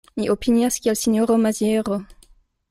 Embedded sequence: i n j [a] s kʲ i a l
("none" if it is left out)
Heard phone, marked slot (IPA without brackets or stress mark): a